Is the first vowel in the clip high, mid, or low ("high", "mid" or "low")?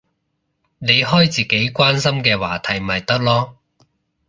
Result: mid